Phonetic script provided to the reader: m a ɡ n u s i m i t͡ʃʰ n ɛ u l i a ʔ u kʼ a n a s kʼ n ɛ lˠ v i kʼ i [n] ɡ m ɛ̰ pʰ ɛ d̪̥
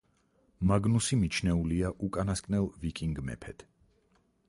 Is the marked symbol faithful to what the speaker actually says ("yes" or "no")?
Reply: no